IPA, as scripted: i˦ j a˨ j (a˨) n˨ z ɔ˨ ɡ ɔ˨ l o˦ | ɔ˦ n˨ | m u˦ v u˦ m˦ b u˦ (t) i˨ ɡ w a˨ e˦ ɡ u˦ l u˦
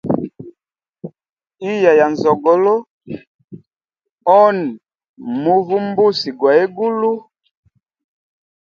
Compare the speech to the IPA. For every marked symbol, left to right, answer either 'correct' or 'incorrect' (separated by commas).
correct, incorrect